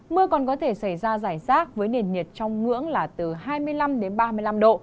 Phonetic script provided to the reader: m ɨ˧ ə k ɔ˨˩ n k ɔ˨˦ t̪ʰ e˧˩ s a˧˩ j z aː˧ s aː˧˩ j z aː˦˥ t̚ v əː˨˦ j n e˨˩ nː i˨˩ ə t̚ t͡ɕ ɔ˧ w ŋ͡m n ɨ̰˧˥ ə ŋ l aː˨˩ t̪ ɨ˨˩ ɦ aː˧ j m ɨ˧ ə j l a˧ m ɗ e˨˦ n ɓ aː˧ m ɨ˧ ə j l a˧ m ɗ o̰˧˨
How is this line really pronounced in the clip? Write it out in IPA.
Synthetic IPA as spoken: m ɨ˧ ə k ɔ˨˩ n k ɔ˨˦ t̪ʰ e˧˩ s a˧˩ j z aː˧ z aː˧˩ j z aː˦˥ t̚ v əː˨˦ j n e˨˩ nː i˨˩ ə t̚ t͡ɕ ɔ˧ w ŋ͡m ŋ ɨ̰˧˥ ə ŋ l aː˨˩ t̪ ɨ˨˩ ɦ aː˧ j m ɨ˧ ə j l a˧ m ɗ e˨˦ n ɓ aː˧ m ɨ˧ ə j l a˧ m ɗ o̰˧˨

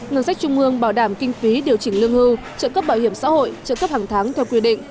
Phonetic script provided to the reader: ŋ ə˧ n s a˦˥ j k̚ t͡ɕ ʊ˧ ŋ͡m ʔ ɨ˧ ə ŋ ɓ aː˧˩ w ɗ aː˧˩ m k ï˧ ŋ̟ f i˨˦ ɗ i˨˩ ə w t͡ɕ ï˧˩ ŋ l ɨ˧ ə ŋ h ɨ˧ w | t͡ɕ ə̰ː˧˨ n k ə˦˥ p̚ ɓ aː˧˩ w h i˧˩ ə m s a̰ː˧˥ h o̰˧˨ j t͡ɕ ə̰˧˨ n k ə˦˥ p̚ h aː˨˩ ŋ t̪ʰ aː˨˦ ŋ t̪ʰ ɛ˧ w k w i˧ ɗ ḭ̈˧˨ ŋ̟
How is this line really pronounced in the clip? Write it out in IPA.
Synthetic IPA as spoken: ŋ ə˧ n s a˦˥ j k̚ t͡ɕ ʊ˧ ŋ͡m ʔ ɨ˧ ə ŋ ɓ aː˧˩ w ɗ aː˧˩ m k ï˧ ŋ̟ f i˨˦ ɗ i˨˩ ə w t͡ɕ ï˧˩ ŋ l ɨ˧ ə ŋ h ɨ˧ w | t͡ɕ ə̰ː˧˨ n k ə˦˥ p̚ ɓ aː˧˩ w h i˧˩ ə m s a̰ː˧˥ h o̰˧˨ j t͡ɕ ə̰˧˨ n k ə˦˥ p̚ h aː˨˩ ŋ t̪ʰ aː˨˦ ŋ t̪ʰ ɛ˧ w k w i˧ ɗ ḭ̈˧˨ ŋ̟

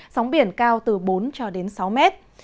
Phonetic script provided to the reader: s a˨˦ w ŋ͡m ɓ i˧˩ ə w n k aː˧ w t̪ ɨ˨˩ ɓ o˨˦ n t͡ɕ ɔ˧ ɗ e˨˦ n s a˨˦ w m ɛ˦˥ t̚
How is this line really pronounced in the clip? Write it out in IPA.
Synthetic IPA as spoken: s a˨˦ w ŋ͡m ɓ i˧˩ ə n k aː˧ w t̪ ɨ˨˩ ɓ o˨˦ n t͡ɕ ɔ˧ ɗ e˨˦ n s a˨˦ w m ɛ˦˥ t̚

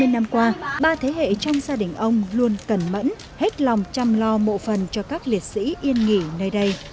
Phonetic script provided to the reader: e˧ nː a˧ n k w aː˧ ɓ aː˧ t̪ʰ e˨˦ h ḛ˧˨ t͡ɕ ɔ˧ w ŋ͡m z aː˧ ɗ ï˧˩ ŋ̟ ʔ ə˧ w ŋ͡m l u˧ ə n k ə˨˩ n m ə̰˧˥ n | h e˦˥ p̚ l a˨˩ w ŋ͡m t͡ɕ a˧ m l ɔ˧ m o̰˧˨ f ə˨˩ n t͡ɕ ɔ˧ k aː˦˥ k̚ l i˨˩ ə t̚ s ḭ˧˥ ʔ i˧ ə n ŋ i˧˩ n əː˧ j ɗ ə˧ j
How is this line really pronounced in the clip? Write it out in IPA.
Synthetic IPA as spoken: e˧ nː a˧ m k w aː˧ ɓ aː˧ t̪ʰ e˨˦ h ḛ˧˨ t͡ɕ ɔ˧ w ŋ͡m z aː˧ ɗ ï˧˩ ŋ̟ ʔ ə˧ w ŋ͡m l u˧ ə n k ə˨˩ n m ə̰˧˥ n | h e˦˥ t̚ l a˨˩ w ŋ͡m t͡ɕ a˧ m l ɔ˧ m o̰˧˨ f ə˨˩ n t͡ɕ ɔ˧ k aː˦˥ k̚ l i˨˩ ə t̚ s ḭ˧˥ ʔ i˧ ə n ŋ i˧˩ n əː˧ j ɗ ə˧ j

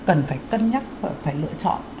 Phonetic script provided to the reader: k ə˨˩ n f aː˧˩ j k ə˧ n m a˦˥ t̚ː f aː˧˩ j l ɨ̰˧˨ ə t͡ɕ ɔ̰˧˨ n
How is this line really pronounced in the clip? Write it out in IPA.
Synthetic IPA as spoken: k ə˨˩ n f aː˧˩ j k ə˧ n ɲ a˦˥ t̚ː f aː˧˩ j l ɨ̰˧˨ ə t͡ɕ ɔ̰˧˨ n

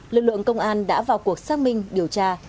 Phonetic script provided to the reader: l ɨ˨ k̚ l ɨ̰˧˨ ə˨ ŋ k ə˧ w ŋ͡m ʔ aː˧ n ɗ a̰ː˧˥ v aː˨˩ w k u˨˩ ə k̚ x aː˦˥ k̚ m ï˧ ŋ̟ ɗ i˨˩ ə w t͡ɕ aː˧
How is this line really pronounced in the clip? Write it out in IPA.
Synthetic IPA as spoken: l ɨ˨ k̚ l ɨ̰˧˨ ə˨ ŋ k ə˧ w ŋ͡m ʔ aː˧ n ɗ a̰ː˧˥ v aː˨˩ w k u˨˩ ə k̚ s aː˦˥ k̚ m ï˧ ŋ̟ ɗ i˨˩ ə w t͡ɕ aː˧

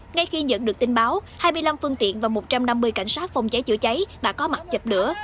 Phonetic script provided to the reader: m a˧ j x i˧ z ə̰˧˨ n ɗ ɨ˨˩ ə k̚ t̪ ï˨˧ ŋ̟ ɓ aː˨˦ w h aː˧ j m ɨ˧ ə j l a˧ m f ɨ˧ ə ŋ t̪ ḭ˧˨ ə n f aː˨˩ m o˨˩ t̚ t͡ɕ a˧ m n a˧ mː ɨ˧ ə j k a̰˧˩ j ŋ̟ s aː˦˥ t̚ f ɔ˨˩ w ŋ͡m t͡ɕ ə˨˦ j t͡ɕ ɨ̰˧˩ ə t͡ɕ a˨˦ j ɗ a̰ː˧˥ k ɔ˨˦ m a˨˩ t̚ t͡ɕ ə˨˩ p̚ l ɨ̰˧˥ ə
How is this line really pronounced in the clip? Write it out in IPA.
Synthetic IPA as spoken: ŋ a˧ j x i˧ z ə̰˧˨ n ɗ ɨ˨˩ ə k̚ t̪ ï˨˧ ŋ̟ ɓ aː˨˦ w h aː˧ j m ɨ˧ ə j l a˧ m f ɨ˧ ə ŋ t̪ ḭ˧˨ ə n v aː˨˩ m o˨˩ t̚ t͡ɕ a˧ m n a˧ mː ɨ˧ ə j k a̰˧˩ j ŋ̟ s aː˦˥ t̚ f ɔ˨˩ w ŋ͡m t͡ɕ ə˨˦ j t͡ɕ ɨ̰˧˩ ə t͡ɕ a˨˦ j ɗ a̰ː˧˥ k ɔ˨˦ m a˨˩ t̚ t͡ɕ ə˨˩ p̚ l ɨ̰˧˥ ə

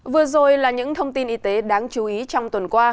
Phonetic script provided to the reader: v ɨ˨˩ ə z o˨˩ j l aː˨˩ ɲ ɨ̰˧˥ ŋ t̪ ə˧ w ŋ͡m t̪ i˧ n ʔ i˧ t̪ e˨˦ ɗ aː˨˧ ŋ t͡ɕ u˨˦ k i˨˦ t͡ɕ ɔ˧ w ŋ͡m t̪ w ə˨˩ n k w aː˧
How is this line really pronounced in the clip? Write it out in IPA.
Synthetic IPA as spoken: v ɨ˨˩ ə z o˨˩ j l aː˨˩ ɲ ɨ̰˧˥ ŋ t̪ʰ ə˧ w ŋ͡m t̪ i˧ n ʔ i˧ t̪ e˨˦ ɗ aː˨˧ ŋ t͡ɕ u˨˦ ʔ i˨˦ t͡ɕ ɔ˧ w ŋ͡m t̪ w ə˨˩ n k w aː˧

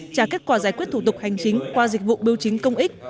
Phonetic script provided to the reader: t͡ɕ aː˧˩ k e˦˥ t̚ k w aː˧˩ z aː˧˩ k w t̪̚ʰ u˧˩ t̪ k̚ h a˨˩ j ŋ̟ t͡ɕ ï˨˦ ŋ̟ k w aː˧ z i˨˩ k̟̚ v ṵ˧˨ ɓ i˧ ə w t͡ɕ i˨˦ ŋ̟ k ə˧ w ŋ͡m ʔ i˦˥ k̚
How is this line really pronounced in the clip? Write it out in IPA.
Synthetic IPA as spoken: t͡ɕ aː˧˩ k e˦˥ t̚ k w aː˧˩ z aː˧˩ k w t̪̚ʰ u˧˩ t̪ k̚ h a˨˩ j ŋ̟ t͡ɕ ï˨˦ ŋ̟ k w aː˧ z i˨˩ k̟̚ v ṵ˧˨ ɓ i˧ ə w t͡ɕ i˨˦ ŋ̟ k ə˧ w ŋ͡m ʔ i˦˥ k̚

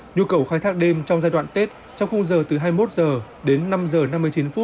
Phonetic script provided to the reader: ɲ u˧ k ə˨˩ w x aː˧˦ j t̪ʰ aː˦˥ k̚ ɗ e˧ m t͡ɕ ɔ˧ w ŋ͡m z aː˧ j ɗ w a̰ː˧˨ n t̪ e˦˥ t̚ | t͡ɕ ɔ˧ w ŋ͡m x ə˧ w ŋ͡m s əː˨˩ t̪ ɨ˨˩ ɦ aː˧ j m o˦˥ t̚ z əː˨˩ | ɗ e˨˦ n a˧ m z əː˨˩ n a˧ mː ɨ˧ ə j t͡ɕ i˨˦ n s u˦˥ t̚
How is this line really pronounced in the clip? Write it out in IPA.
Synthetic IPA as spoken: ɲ u˧ k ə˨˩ w x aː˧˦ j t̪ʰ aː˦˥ k̚ ɗ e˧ m t͡ɕ ɔ˧ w ŋ͡m z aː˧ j ɗ w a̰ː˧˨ n t̪ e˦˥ t̚ | t͡ɕ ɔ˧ w ŋ͡m x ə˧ w ŋ͡m z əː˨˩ t̪ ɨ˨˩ ɦ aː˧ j m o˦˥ t̚ z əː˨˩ | ɗ e˨˦ nː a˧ m z əː˨˩ n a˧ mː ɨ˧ ə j t͡ɕ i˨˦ n f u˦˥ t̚

